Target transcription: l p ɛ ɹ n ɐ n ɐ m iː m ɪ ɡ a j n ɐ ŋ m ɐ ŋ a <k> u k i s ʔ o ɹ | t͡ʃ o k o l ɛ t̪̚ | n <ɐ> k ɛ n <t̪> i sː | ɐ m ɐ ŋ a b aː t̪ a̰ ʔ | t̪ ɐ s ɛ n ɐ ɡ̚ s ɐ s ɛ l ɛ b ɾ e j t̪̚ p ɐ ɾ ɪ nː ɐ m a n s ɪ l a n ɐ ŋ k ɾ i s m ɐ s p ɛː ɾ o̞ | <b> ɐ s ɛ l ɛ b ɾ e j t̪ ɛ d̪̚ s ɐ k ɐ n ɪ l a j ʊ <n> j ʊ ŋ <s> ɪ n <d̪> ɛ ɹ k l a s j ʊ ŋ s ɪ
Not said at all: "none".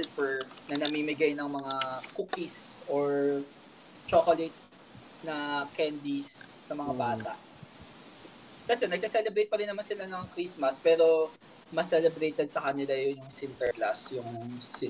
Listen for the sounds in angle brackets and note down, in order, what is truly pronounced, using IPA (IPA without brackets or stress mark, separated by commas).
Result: k, ɐ, d̪, m, n, s, t̪